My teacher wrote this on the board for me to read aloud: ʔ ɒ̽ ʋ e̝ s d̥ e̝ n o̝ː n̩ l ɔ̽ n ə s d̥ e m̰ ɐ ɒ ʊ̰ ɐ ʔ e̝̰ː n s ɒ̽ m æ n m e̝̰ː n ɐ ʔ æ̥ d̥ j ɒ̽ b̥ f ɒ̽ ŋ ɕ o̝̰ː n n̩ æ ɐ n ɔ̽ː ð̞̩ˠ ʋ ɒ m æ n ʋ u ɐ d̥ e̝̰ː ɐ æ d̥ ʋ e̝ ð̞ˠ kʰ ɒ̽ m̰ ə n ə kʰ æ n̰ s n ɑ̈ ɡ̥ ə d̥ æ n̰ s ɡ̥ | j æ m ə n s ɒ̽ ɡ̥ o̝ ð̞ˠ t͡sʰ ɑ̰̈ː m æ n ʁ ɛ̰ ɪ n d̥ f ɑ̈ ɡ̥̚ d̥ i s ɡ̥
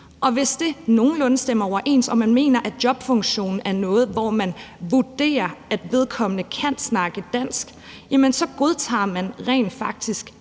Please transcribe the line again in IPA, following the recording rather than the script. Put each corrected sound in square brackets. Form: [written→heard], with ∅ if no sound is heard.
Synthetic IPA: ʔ ɒ̽ ʋ e̝ s d̥ e̝ n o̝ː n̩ l ɔ̽ n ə s d̥ e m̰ ɐ ɒ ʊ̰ ɐ ʔ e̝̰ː n s ɒ̽ m æ n m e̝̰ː n ɐ ʔ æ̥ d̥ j ɒ̽ b̥ f [ɒ̽→ɔ̽] ŋ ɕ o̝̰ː n n̩ æ ɐ n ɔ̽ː ð̞̩ˠ ʋ ɒ m æ n ʋ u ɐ d̥ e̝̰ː ɐ æ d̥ ʋ e̝ ð̞ˠ kʰ ɒ̽ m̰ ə n ə kʰ æ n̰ s n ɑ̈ ɡ̥ ə d̥ æ n̰ s ɡ̥ | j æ m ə n s ɒ̽ ɡ̥ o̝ ð̞ˠ t͡sʰ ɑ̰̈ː m æ n ʁ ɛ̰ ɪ n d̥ f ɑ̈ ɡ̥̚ d̥ i s ɡ̥